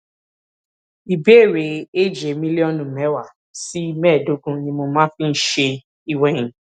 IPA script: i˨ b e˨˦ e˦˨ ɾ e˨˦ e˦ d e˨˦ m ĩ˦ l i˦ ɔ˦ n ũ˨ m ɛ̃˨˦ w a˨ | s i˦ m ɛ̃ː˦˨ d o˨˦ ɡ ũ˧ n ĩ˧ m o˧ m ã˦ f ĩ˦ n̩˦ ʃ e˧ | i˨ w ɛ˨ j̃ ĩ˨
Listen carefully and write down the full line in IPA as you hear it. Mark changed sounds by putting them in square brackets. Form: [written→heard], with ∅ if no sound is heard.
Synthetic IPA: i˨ b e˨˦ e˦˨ ɾ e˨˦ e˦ [d→d͡ʒ] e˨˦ m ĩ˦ l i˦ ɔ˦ n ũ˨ m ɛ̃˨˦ w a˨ | s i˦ m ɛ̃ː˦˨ d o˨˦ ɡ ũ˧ n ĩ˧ m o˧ m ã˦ f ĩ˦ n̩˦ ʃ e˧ | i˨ w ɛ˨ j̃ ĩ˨